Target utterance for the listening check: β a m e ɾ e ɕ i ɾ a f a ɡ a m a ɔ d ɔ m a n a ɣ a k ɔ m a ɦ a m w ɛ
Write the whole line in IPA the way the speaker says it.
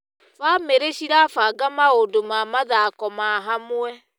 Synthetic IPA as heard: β a m e ɾ e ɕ i ɾ a f a ɡ a m a o d o m a m a ð a k ɔ m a ɦ a m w ɛ